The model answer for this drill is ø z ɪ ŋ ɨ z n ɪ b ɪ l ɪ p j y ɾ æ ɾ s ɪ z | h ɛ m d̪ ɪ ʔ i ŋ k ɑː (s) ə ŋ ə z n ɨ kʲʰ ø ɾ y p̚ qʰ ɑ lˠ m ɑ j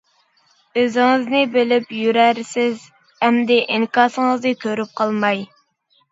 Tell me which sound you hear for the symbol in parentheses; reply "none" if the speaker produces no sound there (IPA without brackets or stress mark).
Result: s